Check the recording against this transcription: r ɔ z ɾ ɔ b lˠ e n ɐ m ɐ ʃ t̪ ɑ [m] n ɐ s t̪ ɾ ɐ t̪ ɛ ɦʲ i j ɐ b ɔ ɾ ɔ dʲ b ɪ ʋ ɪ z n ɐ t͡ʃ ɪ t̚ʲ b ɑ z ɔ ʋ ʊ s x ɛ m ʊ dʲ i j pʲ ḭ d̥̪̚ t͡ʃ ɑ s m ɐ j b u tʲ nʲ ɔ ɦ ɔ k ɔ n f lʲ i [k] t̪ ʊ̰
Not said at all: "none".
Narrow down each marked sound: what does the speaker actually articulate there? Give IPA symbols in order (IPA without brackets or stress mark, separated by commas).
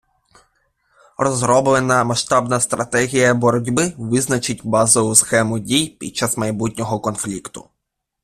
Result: b, k